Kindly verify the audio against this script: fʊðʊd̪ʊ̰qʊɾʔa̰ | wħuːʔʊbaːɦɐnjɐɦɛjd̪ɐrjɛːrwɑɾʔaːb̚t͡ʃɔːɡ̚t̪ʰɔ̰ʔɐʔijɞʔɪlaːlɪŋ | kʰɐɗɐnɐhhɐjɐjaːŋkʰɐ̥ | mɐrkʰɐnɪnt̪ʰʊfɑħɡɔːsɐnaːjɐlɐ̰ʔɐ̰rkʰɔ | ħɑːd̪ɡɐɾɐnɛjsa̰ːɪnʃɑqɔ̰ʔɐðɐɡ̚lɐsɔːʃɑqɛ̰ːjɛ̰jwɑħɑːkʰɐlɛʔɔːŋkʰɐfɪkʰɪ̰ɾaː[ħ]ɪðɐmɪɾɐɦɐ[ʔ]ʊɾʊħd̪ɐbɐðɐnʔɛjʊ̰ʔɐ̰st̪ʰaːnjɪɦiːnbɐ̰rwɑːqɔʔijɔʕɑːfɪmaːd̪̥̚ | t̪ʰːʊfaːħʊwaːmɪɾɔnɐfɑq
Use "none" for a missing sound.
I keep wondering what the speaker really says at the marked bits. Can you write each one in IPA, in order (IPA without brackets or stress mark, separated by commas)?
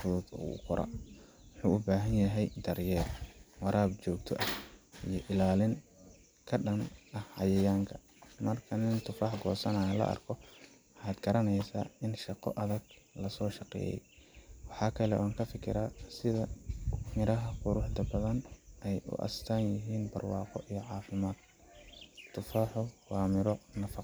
s, q